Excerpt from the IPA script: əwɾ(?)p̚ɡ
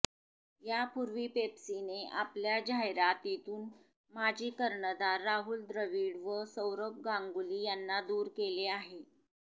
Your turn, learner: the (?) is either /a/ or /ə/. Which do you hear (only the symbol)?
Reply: ə